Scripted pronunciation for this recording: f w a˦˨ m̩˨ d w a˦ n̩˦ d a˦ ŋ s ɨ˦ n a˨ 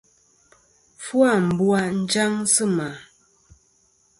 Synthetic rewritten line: f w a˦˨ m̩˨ b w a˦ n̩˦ d͡ʒ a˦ ŋ s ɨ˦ m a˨